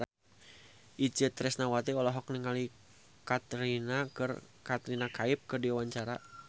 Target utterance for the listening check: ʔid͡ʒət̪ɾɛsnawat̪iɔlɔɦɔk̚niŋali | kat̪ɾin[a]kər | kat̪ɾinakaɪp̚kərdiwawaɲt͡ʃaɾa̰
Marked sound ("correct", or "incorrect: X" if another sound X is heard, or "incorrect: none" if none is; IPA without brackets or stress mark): correct